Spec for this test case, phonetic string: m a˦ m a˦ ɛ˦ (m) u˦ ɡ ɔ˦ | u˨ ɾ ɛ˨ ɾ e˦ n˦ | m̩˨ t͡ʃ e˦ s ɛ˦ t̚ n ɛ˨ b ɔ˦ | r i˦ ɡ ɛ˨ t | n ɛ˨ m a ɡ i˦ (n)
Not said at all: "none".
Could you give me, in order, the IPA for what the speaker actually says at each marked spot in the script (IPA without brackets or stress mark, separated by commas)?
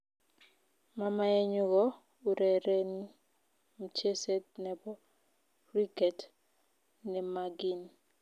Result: ɲ, n